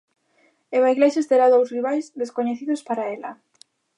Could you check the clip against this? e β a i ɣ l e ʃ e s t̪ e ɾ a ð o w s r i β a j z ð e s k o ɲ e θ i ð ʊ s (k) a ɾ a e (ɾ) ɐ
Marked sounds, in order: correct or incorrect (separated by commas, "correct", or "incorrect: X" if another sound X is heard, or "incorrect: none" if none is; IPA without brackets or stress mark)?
incorrect: p, incorrect: l